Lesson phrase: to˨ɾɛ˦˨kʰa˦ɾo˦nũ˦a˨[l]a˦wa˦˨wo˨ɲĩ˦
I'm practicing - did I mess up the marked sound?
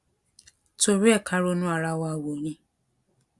yes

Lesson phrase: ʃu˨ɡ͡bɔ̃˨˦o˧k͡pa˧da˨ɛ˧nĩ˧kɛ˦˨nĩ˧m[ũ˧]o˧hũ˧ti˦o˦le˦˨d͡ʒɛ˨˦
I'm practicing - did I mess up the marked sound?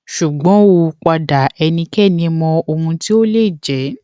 yes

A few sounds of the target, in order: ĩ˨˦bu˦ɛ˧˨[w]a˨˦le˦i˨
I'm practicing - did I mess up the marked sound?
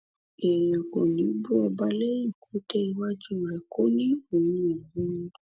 yes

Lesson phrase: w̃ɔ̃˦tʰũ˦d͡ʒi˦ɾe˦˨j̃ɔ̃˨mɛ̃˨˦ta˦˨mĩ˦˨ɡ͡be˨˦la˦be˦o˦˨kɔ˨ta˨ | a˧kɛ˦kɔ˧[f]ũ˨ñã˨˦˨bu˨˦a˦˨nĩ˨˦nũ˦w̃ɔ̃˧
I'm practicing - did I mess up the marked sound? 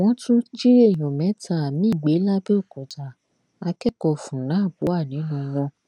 no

